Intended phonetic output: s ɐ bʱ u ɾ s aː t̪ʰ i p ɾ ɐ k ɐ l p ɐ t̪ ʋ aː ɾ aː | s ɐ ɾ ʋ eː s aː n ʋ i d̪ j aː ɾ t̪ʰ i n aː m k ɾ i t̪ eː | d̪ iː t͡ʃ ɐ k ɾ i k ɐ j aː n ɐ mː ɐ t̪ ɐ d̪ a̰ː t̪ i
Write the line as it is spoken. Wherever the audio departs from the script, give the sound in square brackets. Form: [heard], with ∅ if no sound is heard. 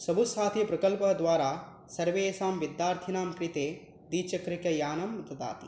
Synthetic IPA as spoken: s ɐ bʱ u [∅] s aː t̪ʰ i p ɾ ɐ k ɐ l p ɐ [d̪] ʋ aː ɾ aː | s ɐ ɾ ʋ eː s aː [m] ʋ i d̪ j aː ɾ t̪ʰ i n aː m k ɾ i t̪ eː | d̪ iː t͡ʃ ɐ k ɾ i k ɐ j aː n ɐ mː ɐ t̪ ɐ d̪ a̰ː t̪ i